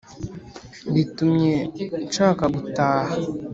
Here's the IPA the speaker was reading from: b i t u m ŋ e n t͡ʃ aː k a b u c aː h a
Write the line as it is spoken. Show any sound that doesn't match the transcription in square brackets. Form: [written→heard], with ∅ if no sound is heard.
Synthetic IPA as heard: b i t u m [ŋ→ɲ] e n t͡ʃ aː k a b u [c→t] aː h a